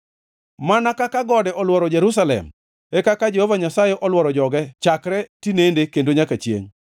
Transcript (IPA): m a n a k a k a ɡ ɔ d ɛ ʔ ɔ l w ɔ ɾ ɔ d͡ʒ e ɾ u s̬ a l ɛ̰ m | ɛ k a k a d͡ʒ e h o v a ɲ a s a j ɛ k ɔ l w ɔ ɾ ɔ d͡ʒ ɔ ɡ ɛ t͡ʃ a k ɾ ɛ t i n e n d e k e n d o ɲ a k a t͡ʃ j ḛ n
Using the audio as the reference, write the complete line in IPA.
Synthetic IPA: m a n a k a k a ɡ ɔ d ɛ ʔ ɔ l w ɔ ɾ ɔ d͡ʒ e ɾ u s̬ a l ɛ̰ m | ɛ k a k a d͡ʒ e h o v a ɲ a s a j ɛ ʔ ɔ l w ɔ ɾ ɔ d͡ʒ ɔ ɡ ɛ t͡ʃ a k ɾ ɛ t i n e n d e k e n d o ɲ a k a t͡ʃ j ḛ ŋ

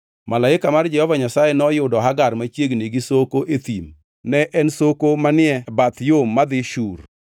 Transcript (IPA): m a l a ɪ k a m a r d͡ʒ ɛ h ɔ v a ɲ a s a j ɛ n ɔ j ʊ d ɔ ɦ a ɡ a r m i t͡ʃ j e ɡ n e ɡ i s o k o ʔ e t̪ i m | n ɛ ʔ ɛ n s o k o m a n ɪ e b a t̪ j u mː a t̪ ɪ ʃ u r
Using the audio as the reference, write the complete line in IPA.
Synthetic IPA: m a l a ɪ k a m a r d͡ʒ ɛ h ɔ v a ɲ a s a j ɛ n ɔ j ʊ d ɔ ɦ a ɡ a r m a t͡ʃ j e ɡ n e ɡ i s o k o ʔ e t̪ i m | n ɛ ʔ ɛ n s o k o m a n ɪ ɛ b a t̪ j o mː a d̪ ɪ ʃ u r

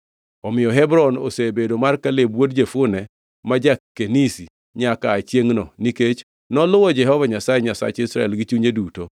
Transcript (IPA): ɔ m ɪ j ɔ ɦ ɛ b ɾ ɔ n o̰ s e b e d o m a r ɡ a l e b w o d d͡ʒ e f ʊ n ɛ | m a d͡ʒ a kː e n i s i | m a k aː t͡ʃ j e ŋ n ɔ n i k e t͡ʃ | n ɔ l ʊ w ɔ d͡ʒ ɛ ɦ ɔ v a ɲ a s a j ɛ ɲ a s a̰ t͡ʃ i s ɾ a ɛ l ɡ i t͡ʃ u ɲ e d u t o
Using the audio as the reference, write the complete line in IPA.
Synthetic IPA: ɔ m ɪ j ɔ ɦ ɛ b ɾ ɔ n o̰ s e b e d o m a r k a l e b w o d d͡ʒ e f ʊ n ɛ | m a d͡ʒ a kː e n i s i | ɲ a k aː t͡ʃ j e ŋ n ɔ n i k e t͡ʃ | n ɔ l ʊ w ɔ d͡ʒ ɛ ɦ ɔ v a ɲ a s a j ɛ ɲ a s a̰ t͡ʃ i s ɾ a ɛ l ɡ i t͡ʃ u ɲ e d u t o

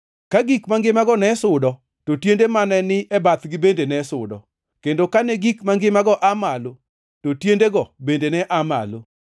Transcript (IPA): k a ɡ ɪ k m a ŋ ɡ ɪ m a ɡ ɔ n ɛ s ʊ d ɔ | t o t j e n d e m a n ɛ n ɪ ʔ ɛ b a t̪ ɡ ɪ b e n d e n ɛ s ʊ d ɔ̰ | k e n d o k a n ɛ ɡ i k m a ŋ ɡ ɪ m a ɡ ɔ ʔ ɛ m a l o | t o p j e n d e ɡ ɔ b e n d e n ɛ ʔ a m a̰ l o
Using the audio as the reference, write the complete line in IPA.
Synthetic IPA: k a ɡ i k m a ŋ ɡ ɪ m a ɡ ɔ n ɛ s ʊ d ɔ | t o t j e n d e m a n ɛ n ɪ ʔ ɛ b a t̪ ɡ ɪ b e n d e n ɛ s ʊ d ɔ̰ | k e n d o k a n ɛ ɡ i k m a ŋ ɡ ɪ m a ɡ ɔ ʔ a m a l o | t o t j e n d e ɡ ɔ b e n d e n ɛ ʔ a m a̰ l o

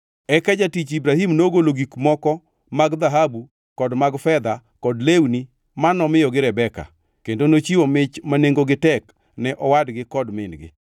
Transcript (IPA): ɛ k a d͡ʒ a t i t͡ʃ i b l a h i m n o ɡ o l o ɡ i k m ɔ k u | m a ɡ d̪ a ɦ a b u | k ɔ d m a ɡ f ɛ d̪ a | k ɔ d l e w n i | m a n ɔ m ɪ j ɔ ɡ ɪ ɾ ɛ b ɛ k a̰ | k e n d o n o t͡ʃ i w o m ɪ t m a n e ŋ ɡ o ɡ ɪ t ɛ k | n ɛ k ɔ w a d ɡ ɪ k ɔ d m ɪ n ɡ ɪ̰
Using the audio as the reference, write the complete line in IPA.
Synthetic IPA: ɛ k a d͡ʒ a t i t͡ʃ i b ɾ a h i m n o ɡ o l o ɡ i k m ɔ k ɔ | m a ɡ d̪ a ɦ a b u | k ɔ d m a ɡ f ɛ d̪ a | k ɔ d l e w n i | m a n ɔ m ɪ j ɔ ɡ ɪ ɾ ɛ b ɛ k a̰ | k e n d o n o t͡ʃ i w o m ɪ t͡ʃ m a n e ŋ ɡ o ɡ ɪ t ɛ k | n ɛ ʔ ɔ w a d ɡ ɪ k ɔ d m ɪ n ɡ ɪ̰

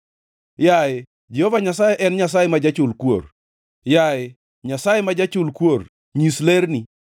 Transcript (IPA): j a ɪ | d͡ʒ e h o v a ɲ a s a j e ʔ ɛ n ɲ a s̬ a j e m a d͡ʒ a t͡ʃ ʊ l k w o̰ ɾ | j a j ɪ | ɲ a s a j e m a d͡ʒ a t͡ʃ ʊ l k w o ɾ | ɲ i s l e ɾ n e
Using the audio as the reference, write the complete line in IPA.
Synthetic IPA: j a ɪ | d͡ʒ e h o v a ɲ a s a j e ʔ ɛ n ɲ a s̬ a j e m a d͡ʒ a t͡ʃ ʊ l k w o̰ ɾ | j a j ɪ | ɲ a s a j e m a d͡ʒ a t͡ʃ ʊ l k w o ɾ | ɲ i s l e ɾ n i

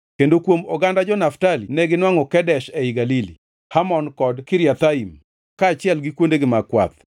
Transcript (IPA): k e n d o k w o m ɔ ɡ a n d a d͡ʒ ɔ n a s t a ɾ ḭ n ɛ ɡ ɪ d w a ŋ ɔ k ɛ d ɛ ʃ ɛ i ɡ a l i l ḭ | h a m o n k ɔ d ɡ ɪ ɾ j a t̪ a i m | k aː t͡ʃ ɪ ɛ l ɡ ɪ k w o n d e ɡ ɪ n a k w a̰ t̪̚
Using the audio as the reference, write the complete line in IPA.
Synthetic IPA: k e n d o k w o m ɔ ɡ a n d a d͡ʒ ɔ n a f t a l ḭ n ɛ ɡ ɪ n w a ŋ ɔ k ɛ d ɛ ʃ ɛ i ɡ a l i l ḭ | h a m ɔ n k ɔ d k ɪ ɾ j a t̪ a i m | k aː t͡ʃ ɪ ɛ l ɡ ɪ k w o n d e ɡ ɪ m a k w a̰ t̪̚

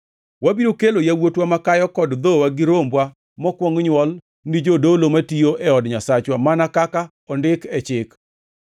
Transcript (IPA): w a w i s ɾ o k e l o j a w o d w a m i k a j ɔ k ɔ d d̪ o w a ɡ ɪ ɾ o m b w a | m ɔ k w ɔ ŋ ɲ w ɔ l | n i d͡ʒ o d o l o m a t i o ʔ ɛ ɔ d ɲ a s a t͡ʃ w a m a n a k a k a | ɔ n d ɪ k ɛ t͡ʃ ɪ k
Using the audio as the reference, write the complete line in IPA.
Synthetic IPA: w a b i ɾ o k e l o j a w o t w a m a k a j ɔ k ɔ d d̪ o w a ɡ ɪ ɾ o m b w a | m ɔ k w ɔ ŋ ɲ w ɔ l | n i d͡ʒ o d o l o m a t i o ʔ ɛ ɔ d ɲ a s a t͡ʃ w a m a n a k a k a | ɔ n d ɪ k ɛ t͡ʃ ɪ k

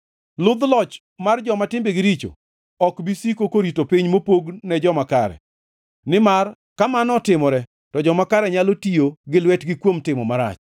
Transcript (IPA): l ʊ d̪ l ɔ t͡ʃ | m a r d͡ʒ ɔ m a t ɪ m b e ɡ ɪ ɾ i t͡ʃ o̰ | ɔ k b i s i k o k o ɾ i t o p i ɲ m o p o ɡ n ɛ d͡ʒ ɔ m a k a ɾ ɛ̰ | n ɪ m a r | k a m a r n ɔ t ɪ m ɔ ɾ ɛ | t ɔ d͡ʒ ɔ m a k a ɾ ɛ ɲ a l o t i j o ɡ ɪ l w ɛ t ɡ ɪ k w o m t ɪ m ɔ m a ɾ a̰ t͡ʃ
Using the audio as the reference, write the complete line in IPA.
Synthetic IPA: l ʊ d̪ l ɔ t͡ʃ | m a r d͡ʒ ɔ m a t ɪ m b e ɡ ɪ ɾ i t͡ʃ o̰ | ɔ k b i s i k o k o ɾ i t o p i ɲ m o p o ɡ n ɛ d͡ʒ ɔ m a k a ɾ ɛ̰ | n ɪ m a r | k a m a n ɔ t ɪ m ɔ ɾ ɛ | t ɔ d͡ʒ ɔ m a k a ɾ ɛ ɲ a l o t i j o ɡ ɪ l w ɛ t ɡ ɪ k w o m t ɪ m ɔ m a ɾ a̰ t͡ʃ

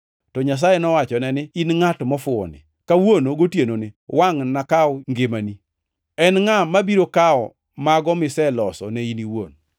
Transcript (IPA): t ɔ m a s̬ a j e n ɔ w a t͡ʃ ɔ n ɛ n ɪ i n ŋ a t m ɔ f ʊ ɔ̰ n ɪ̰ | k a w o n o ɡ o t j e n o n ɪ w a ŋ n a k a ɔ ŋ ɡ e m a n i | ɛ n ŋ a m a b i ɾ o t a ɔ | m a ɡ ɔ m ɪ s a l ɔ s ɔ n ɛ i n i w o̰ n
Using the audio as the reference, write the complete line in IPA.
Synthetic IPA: t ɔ ɲ a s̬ a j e n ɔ w a t͡ʃ ɔ n ɛ n ɪ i n ŋ a t m ɔ f ʊ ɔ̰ n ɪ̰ | k a w o n o ɡ o t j e n o n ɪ w a ŋ n a k a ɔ ŋ ɡ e m a n i | ɛ n ŋ a m a b i ɾ o k a ɔ | m a ɡ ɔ m ɪ s ɛ l ɔ s ɔ n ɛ i n i w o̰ n

